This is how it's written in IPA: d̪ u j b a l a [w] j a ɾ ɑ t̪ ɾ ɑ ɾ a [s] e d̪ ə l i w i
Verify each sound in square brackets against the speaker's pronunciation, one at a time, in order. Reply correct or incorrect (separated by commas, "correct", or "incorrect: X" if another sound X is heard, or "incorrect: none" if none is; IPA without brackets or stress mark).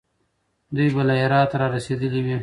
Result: incorrect: none, correct